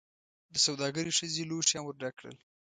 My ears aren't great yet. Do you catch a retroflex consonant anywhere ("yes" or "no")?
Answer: yes